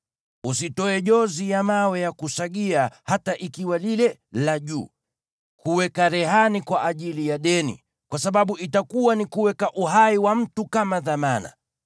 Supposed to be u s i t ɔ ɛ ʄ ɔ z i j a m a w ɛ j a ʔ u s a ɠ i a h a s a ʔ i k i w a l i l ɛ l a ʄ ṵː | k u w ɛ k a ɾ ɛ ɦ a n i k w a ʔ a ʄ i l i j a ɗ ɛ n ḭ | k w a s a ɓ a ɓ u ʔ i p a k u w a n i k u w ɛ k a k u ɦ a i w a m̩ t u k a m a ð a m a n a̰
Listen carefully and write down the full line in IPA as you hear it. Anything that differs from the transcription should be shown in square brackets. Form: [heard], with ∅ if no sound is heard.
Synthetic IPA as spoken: u s i t ɔ ɛ ʄ ɔ z i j a m a w ɛ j a [k] u s a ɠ i a h a [t] a ʔ i k i w a l i l ɛ l a ʄ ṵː | k u w ɛ k a ɾ ɛ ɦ a n i k w a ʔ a ʄ i l i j a ɗ ɛ n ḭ | k w a s a ɓ a ɓ u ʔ i [t] a k u w a n i k u w ɛ k a [ʔ] u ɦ a i w a m̩ t u k a m a ð a m a n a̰